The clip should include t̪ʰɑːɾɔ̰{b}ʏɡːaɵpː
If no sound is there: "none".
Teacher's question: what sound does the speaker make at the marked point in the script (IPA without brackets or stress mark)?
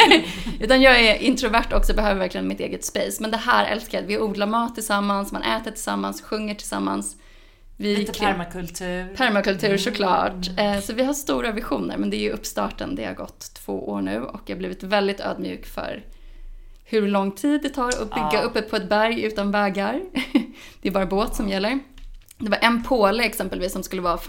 b